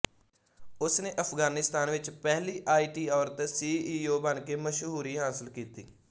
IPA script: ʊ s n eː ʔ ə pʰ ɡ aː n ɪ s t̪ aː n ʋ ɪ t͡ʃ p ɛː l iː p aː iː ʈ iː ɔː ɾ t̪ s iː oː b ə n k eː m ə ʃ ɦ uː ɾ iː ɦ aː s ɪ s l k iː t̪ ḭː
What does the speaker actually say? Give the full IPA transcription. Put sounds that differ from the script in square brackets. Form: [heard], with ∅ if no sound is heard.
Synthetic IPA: ʊ s n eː ʔ ə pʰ ɡ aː n ɪ s t̪ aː n ʋ ɪ t͡ʃ p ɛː l iː [ʔ] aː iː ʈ iː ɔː ɾ t̪ s iː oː b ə n k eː m ə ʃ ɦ uː ɾ iː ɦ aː s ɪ [∅] l k iː t̪ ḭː